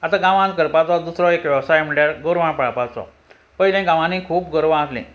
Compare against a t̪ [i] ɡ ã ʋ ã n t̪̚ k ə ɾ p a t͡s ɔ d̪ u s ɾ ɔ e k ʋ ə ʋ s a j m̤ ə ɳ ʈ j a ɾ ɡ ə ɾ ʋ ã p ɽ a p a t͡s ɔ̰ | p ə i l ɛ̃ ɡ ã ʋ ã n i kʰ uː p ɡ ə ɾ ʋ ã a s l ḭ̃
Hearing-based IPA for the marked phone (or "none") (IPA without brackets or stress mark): a